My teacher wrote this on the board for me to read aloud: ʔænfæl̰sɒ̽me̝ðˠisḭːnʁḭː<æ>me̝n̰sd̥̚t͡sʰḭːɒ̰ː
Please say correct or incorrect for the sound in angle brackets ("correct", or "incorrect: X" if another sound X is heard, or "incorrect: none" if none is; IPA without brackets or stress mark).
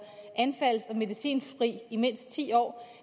incorrect: i